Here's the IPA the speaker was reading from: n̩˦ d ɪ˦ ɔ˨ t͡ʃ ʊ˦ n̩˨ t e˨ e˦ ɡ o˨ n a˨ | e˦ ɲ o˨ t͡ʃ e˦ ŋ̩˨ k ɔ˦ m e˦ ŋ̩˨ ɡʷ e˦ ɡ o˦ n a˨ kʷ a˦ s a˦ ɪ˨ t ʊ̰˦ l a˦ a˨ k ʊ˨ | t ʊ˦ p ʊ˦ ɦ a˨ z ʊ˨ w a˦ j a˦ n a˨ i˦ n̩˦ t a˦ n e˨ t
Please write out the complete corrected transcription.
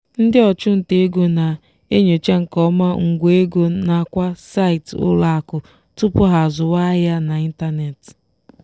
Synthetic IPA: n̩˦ d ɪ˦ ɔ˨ t͡ʃ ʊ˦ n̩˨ t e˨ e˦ ɡ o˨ n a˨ | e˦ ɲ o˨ t͡ʃ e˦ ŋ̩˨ k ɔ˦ m a˦ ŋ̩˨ ɡʷ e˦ ɡ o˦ n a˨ kʷ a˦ s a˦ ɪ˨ t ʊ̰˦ l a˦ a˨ k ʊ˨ | t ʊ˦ p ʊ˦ ɦ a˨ z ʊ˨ w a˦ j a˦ n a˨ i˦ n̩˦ t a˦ n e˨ t